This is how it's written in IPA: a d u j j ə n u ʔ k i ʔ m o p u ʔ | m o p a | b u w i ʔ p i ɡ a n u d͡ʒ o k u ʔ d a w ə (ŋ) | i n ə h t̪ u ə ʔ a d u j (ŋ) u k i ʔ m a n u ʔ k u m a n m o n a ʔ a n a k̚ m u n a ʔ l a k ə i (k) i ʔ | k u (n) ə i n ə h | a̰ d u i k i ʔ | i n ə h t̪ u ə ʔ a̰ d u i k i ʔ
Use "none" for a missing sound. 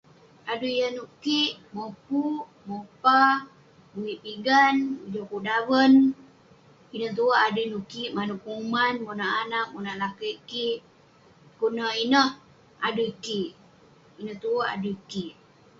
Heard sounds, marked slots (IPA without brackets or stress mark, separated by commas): n, n, k, n